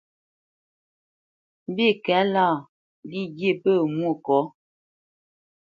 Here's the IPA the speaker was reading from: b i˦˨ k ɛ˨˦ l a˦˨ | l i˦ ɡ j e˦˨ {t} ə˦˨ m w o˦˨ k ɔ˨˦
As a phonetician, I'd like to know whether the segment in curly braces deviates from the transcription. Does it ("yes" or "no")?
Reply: yes